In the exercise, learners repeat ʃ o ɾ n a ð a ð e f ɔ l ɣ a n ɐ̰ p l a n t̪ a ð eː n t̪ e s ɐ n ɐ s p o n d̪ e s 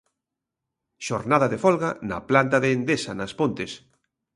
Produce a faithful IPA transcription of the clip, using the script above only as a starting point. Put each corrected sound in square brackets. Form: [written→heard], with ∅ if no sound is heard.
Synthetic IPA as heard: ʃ o ɾ n a ð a ð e f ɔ l ɣ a n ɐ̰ p l a n t̪ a ð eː n [t̪→d̪] e s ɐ n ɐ s p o n [d̪→t̪] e s